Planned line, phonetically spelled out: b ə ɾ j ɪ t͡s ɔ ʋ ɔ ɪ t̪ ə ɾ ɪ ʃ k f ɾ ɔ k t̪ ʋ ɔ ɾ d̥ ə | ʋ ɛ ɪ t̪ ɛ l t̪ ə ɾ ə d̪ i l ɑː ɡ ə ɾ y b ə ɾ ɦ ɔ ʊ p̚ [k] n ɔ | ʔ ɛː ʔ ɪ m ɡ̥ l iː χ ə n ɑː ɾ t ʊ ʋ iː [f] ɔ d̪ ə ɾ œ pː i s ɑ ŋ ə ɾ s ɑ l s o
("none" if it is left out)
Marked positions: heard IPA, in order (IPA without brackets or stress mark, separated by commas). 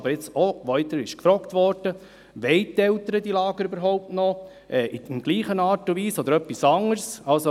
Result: t, s